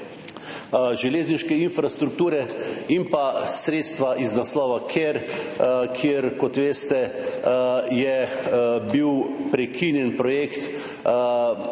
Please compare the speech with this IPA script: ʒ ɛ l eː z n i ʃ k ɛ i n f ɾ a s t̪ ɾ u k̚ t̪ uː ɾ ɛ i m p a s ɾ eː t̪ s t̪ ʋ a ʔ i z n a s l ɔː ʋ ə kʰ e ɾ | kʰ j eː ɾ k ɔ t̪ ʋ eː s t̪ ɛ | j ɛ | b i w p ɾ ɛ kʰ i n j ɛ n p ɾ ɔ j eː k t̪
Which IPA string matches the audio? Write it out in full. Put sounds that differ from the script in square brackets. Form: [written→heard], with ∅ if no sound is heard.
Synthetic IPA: ʒ ɛ l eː z n i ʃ k ɛ i n f ɾ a s t̪ ɾ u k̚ t̪ uː ɾ ɛ i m p a s ɾ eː t̪ s t̪ ʋ a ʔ i z n a s l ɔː ʋ [ə→a] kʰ e ɾ | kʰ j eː ɾ k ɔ t̪ ʋ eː s t̪ ɛ | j ɛ | b i w p ɾ ɛ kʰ i n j ɛ n p ɾ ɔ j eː k t̪